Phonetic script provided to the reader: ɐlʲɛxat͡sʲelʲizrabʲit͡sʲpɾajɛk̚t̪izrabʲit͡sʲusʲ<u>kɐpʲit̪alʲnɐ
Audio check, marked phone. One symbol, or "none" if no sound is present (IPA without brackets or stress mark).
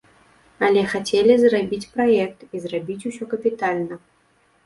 ɔ